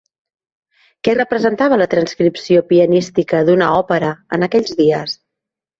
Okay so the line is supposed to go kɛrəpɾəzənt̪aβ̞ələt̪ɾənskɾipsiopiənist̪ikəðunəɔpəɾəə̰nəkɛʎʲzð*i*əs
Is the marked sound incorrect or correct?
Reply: correct